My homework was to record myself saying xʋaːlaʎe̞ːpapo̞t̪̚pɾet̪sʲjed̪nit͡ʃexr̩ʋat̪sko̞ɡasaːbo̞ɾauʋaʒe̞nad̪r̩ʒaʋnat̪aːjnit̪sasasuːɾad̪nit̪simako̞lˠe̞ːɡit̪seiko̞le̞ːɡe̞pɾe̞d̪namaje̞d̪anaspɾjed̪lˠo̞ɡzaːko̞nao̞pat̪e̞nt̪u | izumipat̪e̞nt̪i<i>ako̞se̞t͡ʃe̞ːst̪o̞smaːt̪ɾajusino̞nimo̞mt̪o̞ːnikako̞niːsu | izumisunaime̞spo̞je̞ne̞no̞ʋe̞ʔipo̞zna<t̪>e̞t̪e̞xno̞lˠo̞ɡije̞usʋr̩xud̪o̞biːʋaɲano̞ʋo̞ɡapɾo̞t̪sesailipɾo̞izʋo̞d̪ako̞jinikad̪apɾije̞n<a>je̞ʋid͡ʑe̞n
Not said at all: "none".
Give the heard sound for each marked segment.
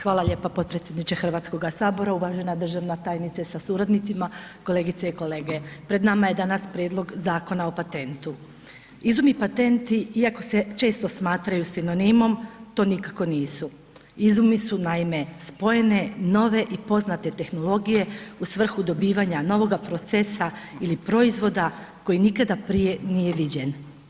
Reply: i, t̪, i

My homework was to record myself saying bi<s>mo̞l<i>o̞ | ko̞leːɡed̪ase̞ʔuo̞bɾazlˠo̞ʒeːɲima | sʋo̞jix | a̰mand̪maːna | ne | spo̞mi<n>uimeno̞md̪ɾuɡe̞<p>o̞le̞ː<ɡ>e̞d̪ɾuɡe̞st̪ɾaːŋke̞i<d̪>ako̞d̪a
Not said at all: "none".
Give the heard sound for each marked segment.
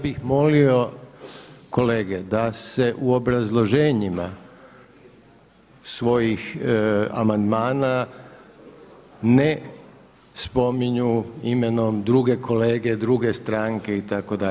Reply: x, i, ɲ, k, ɡ, t̪

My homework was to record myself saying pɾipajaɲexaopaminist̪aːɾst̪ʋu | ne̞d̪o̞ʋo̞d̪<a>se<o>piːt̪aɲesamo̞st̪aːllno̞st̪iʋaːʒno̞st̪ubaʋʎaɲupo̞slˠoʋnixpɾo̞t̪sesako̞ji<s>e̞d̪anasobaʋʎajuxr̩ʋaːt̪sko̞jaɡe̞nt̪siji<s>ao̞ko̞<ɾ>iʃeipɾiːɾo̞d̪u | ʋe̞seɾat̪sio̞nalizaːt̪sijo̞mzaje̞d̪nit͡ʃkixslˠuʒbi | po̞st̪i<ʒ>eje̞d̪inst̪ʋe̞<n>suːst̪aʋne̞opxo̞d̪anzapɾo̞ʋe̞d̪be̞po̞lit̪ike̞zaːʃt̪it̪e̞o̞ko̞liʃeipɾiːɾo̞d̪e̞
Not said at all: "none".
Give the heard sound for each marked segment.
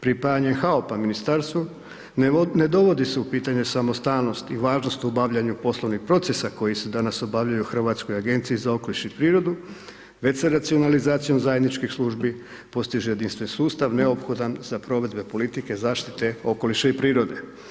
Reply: i, u, s, z, l, ʒ, n

